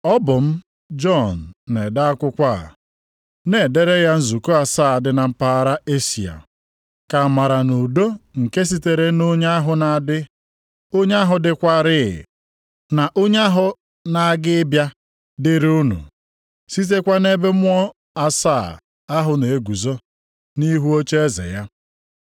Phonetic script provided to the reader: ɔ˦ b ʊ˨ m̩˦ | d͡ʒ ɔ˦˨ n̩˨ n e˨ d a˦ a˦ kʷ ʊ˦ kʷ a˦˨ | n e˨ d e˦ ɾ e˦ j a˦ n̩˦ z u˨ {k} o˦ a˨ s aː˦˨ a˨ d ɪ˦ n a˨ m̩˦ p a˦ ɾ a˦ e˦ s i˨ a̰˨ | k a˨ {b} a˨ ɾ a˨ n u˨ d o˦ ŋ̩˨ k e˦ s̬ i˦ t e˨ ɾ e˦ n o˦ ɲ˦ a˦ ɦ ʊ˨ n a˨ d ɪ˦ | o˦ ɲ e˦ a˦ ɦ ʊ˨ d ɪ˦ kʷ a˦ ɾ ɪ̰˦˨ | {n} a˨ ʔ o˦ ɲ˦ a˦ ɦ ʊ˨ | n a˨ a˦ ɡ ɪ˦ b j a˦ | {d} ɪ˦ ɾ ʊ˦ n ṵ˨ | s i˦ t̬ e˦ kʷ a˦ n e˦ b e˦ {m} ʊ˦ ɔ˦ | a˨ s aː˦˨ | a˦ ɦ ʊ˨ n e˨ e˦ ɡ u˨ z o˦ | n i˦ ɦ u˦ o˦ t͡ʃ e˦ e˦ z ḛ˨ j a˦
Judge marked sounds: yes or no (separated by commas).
yes, no, yes, yes, yes